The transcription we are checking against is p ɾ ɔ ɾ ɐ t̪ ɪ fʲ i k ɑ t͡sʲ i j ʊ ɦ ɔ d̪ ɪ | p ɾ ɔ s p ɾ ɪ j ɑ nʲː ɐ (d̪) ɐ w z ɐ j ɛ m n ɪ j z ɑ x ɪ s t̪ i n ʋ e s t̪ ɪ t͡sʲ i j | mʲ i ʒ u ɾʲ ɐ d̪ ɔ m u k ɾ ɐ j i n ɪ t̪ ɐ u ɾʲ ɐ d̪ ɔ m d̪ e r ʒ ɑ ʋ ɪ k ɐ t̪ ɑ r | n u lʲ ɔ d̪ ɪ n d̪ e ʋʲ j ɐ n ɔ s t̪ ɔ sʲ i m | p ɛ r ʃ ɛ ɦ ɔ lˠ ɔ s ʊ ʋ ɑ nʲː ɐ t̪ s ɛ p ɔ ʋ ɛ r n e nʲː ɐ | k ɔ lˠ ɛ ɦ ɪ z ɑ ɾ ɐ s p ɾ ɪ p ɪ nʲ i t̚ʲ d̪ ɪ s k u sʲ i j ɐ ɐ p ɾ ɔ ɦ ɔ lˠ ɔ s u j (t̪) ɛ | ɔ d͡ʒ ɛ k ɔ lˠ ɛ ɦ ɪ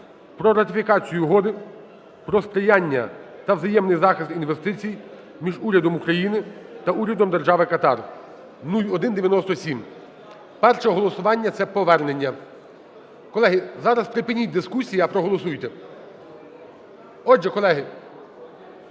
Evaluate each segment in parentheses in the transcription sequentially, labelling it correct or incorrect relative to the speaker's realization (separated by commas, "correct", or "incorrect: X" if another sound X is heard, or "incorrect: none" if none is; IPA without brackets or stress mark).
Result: incorrect: t̪, correct